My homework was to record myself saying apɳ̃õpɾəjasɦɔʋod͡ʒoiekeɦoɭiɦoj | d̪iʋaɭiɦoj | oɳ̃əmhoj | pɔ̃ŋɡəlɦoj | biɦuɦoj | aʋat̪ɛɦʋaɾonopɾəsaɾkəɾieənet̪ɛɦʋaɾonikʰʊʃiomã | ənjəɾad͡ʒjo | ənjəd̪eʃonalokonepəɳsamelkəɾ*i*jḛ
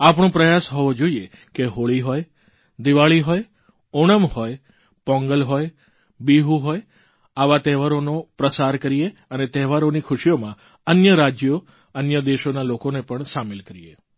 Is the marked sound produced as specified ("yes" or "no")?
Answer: yes